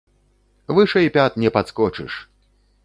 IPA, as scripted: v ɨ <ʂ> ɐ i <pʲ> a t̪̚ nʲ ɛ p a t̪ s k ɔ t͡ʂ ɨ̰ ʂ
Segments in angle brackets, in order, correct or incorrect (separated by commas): correct, correct